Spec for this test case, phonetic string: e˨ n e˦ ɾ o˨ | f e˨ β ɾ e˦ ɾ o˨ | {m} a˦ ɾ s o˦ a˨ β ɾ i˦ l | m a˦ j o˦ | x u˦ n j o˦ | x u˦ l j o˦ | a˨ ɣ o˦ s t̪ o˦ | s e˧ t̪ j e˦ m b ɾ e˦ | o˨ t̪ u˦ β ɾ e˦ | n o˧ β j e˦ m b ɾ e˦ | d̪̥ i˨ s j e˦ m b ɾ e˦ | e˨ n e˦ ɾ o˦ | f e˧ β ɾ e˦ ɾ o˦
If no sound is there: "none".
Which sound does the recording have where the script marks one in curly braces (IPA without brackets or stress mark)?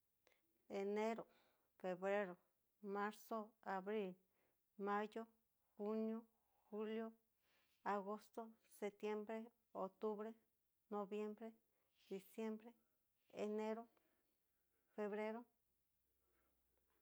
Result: m